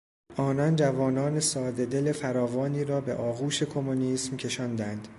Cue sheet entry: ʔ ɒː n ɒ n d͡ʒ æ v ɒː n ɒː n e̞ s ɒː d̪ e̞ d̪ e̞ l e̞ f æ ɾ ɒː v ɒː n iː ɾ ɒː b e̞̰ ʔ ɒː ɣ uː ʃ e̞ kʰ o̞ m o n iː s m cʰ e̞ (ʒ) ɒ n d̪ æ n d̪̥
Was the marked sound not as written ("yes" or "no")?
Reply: yes